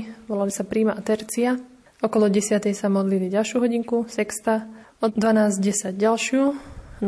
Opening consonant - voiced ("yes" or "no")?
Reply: yes